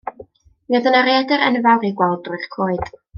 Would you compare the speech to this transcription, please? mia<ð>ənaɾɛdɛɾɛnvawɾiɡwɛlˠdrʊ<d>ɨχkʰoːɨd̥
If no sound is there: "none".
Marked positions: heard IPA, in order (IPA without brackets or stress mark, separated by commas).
ð, none